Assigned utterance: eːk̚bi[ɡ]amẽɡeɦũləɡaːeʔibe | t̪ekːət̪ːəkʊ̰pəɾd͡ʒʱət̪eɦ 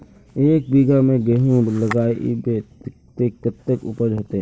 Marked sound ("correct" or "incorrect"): correct